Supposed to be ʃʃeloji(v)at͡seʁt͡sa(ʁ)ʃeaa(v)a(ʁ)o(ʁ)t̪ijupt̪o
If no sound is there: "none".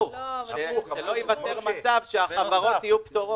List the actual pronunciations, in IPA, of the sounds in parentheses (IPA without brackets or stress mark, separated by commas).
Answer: v, v, v, ʁ, none